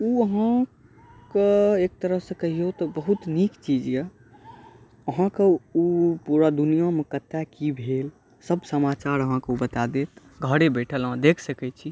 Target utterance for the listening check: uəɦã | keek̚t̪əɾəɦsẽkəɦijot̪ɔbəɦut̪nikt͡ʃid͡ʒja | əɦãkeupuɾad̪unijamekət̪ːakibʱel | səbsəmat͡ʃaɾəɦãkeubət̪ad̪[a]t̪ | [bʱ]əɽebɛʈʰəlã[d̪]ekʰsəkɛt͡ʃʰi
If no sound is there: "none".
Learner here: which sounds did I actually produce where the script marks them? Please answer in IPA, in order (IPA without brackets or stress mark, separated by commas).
e, ɡʱ, d̪